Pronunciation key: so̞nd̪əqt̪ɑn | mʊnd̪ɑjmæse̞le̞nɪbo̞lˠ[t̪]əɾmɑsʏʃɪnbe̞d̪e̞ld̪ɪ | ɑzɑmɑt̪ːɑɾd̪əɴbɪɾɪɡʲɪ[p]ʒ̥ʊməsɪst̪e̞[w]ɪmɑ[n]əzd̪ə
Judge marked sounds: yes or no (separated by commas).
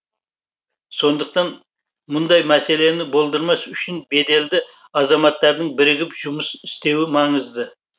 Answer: no, yes, yes, no